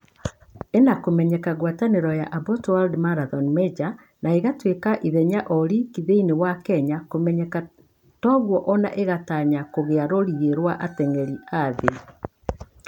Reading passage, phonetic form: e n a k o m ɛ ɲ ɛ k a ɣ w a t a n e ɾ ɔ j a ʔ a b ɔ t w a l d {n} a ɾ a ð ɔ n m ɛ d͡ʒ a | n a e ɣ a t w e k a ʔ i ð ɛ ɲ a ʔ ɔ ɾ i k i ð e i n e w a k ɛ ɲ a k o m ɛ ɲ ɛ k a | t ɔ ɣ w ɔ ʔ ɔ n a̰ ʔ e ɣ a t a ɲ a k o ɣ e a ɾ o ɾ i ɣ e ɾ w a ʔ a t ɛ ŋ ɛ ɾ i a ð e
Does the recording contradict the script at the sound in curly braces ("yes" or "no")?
yes